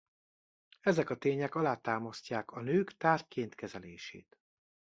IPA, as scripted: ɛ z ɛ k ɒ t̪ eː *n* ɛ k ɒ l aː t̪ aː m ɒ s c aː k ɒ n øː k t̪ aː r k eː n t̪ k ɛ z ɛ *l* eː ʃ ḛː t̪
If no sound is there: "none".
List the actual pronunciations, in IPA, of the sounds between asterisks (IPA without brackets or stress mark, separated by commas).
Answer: ɲ, l